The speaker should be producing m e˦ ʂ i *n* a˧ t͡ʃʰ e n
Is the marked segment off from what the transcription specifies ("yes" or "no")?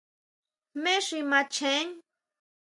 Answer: yes